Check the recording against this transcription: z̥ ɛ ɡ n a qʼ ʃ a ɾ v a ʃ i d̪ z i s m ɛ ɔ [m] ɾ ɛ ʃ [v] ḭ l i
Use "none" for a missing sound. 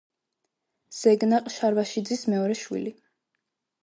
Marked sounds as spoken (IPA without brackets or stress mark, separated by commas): none, w